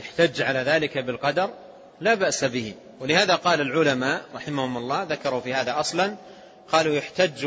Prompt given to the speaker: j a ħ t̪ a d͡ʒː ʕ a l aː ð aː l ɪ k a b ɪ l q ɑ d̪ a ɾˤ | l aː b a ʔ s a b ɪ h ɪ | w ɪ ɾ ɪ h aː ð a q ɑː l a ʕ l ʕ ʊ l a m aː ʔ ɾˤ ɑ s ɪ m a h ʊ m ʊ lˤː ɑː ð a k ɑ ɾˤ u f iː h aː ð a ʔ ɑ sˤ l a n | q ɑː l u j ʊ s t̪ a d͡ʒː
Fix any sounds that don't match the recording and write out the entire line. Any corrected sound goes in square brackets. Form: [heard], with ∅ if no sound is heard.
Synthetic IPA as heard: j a ħ t̪ a d͡ʒː ʕ a l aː ð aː l ɪ k a b ɪ l q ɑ d̪ [ɑ] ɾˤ | l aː b a ʔ s a b ɪ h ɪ | w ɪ [l] ɪ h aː ð a q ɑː l a [∅] l ʕ ʊ l a m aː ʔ ɾˤ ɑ [ħ] ɪ m a h ʊ m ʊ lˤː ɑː ð a k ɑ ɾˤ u f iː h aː ð a ʔ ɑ sˤ l [ɑ] n | q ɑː l u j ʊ [ħ] t̪ a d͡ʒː